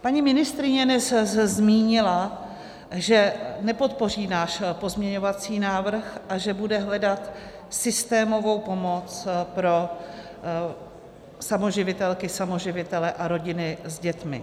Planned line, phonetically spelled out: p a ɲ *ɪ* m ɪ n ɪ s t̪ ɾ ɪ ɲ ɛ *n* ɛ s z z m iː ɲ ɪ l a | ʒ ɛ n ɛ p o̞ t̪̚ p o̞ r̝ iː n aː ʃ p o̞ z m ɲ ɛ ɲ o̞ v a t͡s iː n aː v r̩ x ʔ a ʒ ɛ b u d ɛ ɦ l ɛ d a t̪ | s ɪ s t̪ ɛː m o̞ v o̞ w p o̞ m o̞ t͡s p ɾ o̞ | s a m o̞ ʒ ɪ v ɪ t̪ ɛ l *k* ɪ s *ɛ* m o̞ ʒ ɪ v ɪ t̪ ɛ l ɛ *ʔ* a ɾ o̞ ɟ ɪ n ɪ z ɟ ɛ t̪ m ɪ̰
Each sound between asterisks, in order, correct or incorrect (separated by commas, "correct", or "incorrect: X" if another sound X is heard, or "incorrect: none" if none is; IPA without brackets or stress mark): incorrect: i, correct, correct, incorrect: a, correct